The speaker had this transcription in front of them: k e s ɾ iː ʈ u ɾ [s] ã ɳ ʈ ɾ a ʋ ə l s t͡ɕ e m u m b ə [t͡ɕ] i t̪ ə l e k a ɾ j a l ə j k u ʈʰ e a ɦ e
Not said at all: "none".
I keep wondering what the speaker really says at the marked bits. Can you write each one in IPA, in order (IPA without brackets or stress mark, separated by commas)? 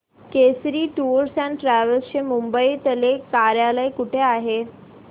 s, none